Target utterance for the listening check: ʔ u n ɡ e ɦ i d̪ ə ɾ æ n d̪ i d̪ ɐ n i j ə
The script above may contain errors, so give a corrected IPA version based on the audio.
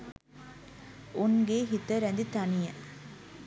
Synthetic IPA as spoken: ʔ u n ɡ e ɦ i t̪ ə ɾ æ n d̪ i t̪ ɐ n i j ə